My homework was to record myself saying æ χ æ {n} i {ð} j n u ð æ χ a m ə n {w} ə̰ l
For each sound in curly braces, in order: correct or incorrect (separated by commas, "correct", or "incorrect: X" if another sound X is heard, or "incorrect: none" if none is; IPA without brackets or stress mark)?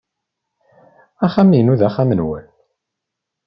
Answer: incorrect: m, incorrect: none, correct